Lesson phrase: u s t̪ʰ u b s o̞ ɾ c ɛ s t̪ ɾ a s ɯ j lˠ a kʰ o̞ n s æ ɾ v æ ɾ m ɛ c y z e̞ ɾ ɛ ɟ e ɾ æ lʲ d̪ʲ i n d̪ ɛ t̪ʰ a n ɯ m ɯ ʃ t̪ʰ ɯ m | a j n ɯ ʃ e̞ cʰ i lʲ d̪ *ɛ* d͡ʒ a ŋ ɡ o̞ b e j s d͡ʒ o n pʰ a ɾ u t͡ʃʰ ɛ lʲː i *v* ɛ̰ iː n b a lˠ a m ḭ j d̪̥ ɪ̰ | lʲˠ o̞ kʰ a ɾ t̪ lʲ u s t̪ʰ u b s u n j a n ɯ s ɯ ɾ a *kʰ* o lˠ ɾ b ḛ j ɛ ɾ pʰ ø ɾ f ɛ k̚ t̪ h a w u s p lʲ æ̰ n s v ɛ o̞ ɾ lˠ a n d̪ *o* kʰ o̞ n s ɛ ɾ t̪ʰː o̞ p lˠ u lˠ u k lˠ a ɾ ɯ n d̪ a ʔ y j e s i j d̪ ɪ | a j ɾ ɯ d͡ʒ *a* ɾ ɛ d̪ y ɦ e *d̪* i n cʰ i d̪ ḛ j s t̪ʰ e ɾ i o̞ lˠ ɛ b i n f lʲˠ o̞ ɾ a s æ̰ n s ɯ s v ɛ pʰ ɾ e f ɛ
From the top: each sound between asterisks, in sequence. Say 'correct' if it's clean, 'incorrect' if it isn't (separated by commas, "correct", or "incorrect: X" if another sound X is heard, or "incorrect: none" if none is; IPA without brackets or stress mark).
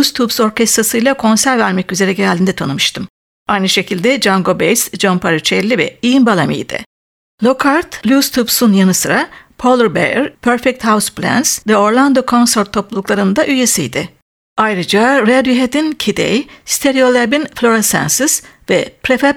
correct, correct, incorrect: pʰ, correct, correct, correct